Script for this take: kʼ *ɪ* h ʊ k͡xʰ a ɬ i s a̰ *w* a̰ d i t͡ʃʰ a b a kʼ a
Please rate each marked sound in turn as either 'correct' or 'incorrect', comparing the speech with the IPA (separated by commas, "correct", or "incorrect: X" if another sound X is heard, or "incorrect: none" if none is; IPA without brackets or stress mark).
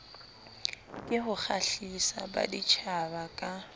correct, incorrect: b